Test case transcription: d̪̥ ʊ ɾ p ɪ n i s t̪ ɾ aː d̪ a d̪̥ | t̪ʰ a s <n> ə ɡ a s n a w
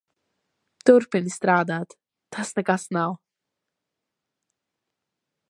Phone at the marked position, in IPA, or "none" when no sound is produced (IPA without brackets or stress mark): n